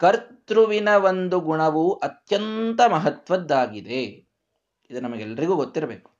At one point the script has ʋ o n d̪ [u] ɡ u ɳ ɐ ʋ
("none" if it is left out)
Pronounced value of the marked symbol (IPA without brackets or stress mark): u